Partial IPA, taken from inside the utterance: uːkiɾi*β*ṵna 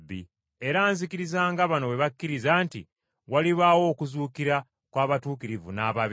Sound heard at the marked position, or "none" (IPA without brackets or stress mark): v